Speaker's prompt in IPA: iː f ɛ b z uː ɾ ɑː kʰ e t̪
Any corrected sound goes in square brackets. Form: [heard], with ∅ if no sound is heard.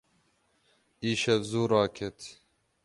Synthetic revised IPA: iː [ʃ] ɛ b z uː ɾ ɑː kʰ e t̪